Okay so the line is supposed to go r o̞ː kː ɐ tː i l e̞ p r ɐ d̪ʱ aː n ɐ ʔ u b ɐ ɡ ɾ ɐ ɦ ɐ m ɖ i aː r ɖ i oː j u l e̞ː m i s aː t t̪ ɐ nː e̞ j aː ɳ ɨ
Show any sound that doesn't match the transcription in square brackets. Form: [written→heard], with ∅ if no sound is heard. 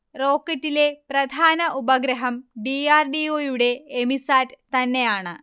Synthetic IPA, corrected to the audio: r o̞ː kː ɐ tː i l e̞ p r ɐ d̪ʱ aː n ɐ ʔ u b ɐ ɡ ɾ ɐ ɦ ɐ m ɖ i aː r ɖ i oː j u [l→ɽ] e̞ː m i s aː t t̪ ɐ nː e̞ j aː ɳ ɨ

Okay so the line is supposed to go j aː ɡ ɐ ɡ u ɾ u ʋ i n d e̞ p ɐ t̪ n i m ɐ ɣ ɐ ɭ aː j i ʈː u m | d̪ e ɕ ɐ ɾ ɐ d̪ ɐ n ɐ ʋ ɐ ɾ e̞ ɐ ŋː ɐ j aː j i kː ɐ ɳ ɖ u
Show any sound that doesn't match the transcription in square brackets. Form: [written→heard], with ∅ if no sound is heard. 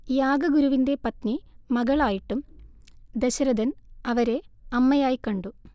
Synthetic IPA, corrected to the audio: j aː ɡ ɐ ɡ u ɾ u ʋ i n d e̞ p ɐ t̪ n i m ɐ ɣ ɐ ɭ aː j i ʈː u m | d̪ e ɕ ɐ ɾ ɐ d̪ ɐ n ɐ ʋ ɐ ɾ e̞ ɐ [ŋː→mː] ɐ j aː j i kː ɐ ɳ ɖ u

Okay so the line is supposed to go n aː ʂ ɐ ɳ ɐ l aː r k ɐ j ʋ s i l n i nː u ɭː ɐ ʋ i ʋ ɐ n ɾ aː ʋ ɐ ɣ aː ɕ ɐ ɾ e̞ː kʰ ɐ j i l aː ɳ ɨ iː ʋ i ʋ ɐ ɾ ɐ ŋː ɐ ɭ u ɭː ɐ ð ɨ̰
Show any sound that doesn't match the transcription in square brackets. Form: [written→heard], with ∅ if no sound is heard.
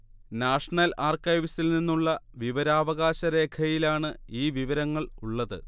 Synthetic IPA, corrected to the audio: n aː ʂ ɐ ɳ ɐ l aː r k ɐ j ʋ s i l n i nː u ɭː ɐ ʋ i ʋ ɐ [n→∅] ɾ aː ʋ ɐ ɣ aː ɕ ɐ ɾ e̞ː kʰ ɐ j i l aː ɳ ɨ iː ʋ i ʋ ɐ ɾ ɐ ŋː ɐ ɭ u ɭː ɐ ð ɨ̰

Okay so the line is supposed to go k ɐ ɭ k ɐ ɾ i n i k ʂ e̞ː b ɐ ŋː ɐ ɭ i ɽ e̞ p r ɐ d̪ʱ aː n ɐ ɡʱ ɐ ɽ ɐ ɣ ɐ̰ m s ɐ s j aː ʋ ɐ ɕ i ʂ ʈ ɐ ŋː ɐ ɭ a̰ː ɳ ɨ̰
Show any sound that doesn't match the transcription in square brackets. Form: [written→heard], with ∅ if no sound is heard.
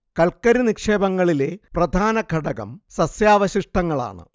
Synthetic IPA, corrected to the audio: k ɐ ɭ k ɐ ɾ i n i k ʂ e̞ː b ɐ ŋː ɐ ɭ i [ɽ→l] e̞ p r ɐ d̪ʱ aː n ɐ ɡʱ ɐ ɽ ɐ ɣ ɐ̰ m s ɐ s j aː ʋ ɐ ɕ i ʂ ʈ ɐ ŋː ɐ ɭ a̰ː ɳ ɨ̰

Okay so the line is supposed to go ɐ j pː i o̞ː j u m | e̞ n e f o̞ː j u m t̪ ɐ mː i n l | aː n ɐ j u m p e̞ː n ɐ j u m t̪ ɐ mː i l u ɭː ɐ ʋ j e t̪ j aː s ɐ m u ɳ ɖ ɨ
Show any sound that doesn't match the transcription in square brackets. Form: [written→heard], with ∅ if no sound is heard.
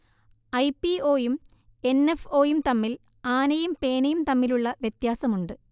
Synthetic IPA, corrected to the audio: ɐ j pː i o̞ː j u m | e̞ n e f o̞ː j u m t̪ ɐ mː i [n→∅] l | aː n ɐ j u m p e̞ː n ɐ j u m t̪ ɐ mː i l u ɭː ɐ ʋ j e t̪ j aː s ɐ m u ɳ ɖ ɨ

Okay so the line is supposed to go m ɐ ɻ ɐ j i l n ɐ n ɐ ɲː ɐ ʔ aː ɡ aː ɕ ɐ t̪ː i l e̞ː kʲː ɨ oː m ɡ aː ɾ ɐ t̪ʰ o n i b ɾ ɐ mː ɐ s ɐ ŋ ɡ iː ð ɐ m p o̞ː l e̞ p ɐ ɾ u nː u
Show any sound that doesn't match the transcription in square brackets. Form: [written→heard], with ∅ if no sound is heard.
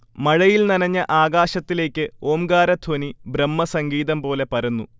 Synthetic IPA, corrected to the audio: m ɐ ɻ ɐ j i l n ɐ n ɐ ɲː ɐ ʔ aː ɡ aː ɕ ɐ t̪ː i l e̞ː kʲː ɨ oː m ɡ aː ɾ ɐ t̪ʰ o n i b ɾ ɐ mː ɐ s ɐ ŋ ɡ iː ð ɐ m p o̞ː l e̞ p ɐ ɾ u nː u

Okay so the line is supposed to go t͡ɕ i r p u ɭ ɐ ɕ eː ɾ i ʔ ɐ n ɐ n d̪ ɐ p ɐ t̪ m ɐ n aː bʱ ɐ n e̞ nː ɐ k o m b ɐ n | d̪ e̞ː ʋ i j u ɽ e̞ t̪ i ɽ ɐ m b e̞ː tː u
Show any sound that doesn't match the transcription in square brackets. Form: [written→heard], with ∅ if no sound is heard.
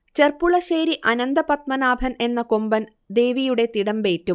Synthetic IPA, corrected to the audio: t͡ɕ [i→e] r p u ɭ ɐ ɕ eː ɾ i ʔ ɐ n ɐ n d̪ ɐ p ɐ t̪ m ɐ n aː bʱ ɐ n e̞ nː ɐ k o m b ɐ n | d̪ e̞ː ʋ i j u ɽ e̞ t̪ i ɽ ɐ m b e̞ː tː u

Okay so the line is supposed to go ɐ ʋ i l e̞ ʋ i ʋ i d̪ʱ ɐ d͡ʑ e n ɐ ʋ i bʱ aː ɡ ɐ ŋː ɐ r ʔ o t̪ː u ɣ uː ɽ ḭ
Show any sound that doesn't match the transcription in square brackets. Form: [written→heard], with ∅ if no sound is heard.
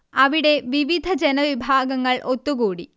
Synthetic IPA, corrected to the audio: ɐ ʋ i [l→ɽ] e̞ ʋ i ʋ i d̪ʱ ɐ d͡ʑ e n ɐ ʋ i bʱ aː ɡ ɐ ŋː ɐ [r→ɭ] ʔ o t̪ː u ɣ uː ɽ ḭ

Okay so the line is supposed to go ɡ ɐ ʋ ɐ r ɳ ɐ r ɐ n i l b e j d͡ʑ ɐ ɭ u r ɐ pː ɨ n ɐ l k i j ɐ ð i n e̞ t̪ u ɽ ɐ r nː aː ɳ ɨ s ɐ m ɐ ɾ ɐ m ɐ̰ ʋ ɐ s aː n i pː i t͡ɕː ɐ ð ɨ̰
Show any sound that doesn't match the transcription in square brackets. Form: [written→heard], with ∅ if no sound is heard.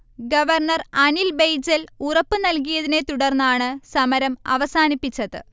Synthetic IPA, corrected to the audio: ɡ ɐ ʋ ɐ r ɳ ɐ r ɐ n i l b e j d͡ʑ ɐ [ɭ→l] u r ɐ pː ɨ n ɐ l k i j ɐ ð i n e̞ t̪ u ɽ ɐ r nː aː ɳ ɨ s ɐ m ɐ ɾ ɐ m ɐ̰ ʋ ɐ s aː n i pː i t͡ɕː ɐ ð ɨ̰

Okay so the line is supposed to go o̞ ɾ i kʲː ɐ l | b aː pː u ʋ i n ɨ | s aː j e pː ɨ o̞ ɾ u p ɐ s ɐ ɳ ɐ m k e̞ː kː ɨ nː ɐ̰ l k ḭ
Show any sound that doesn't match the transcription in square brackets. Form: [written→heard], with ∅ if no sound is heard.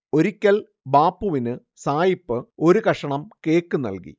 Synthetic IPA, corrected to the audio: o̞ ɾ i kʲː ɐ l | b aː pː u ʋ i n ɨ | s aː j [e→i] pː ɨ o̞ ɾ u [p→k] ɐ [s→ʂ] ɐ ɳ ɐ m k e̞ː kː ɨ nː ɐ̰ l k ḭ

